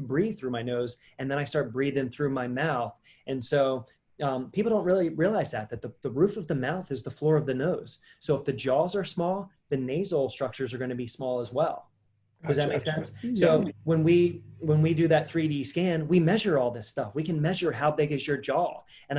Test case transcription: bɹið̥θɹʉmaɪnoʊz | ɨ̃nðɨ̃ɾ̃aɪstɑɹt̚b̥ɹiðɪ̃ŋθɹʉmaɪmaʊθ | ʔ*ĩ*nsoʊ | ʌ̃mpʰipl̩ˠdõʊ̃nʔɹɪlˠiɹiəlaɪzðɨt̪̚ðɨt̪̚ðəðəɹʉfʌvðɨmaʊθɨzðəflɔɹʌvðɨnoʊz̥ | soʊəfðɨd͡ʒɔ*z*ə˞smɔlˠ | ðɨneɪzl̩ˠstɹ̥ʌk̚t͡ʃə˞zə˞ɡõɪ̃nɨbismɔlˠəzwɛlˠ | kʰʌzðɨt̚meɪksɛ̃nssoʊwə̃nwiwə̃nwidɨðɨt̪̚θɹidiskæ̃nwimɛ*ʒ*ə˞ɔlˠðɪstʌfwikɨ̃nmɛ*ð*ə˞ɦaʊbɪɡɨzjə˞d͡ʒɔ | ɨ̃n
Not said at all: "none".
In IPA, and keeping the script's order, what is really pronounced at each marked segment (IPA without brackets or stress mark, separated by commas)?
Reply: ɨ̃, z, ʒ, ʒ